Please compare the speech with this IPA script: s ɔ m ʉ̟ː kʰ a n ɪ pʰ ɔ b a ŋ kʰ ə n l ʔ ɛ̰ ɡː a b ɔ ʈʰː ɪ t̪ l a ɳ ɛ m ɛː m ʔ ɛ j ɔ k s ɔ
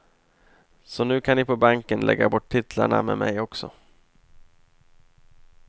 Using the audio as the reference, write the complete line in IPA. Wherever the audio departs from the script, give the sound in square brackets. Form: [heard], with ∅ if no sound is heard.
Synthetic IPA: s ɔ [n] ʉ̟ː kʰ a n ɪ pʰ ɔ b a ŋ [k] ə n l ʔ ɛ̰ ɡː a b ɔ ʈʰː ɪ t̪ l a ɳ [a] m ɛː m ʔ ɛ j ɔ k s ɔ